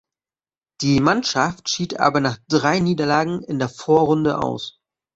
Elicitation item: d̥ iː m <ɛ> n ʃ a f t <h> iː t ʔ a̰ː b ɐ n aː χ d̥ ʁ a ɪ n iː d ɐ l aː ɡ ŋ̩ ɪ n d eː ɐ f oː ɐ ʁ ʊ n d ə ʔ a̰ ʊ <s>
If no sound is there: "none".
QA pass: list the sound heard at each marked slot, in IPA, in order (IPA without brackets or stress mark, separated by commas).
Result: a, ʃ, s